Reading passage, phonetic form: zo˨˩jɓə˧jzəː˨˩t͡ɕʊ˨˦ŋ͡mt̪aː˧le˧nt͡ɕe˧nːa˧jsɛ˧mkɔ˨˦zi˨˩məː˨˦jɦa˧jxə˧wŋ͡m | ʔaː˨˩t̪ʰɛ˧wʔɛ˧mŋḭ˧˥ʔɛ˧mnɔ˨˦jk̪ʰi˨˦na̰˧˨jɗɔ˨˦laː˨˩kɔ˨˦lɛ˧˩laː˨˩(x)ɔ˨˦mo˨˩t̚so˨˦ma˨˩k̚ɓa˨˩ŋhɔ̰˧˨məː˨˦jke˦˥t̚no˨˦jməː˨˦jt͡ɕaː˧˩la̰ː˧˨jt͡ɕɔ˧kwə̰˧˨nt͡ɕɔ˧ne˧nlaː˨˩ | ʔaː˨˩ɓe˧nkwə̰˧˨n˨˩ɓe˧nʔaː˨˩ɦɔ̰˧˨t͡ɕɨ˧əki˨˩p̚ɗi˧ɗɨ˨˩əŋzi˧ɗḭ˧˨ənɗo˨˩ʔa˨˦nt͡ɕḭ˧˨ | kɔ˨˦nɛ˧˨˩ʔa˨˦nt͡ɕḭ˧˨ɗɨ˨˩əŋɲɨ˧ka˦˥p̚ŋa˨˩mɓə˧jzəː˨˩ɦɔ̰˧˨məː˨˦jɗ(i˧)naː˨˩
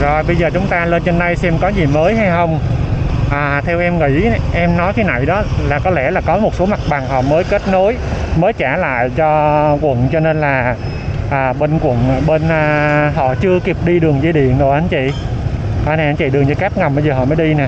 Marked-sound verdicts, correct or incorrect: incorrect: k, correct

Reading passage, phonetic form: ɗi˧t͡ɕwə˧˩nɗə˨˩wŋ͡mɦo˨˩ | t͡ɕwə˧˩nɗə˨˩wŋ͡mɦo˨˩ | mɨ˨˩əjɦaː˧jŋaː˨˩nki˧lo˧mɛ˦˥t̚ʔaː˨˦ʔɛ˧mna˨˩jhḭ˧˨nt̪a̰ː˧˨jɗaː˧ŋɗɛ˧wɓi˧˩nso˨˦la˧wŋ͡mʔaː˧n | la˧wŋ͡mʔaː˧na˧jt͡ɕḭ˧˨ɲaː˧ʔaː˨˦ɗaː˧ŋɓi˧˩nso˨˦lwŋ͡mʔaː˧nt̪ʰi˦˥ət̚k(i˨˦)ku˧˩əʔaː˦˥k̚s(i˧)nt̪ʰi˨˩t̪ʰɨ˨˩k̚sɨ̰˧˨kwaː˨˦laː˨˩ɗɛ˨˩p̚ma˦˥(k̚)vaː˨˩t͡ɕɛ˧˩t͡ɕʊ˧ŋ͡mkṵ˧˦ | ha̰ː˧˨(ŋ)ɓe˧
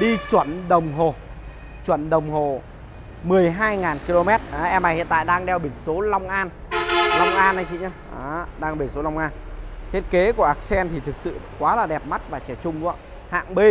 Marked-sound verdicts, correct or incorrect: incorrect: e˨˦, incorrect: ɛ˧, incorrect: t̚, correct

